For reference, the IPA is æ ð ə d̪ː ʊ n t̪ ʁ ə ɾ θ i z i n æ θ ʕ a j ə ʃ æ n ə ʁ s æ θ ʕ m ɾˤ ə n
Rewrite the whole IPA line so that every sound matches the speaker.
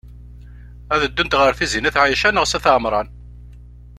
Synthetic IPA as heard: æ ð ə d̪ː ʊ n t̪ ʁ ə ɾ θ i z i n æ θ ʕ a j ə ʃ æ n ə ʁ s æ θ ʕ m ɾˤ ɑ n